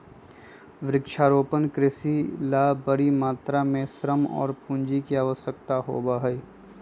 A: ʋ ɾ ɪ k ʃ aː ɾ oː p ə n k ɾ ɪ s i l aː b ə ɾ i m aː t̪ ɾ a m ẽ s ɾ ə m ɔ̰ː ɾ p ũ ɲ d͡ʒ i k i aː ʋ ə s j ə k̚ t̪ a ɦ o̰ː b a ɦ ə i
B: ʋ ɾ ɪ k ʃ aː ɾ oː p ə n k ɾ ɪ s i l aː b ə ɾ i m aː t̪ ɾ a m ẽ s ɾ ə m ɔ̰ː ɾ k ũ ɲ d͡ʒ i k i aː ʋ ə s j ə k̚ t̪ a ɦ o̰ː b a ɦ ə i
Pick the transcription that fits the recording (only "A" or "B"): A